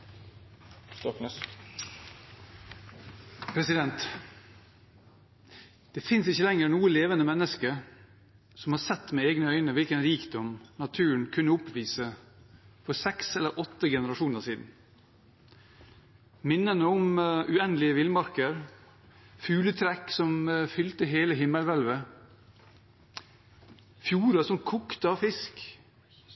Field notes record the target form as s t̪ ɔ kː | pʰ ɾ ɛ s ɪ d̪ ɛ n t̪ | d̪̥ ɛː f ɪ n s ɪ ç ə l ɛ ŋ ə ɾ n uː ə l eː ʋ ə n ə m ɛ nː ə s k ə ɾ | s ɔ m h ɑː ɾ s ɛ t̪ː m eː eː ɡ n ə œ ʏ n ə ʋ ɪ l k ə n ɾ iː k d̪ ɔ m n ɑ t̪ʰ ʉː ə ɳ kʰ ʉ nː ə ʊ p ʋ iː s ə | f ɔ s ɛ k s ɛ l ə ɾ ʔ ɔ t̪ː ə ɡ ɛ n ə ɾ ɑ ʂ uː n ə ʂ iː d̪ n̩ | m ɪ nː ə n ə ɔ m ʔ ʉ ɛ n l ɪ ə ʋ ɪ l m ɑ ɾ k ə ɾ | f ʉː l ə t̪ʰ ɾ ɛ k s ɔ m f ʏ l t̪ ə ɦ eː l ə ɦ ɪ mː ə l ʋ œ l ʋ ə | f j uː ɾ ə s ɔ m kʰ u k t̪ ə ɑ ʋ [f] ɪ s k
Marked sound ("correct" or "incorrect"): correct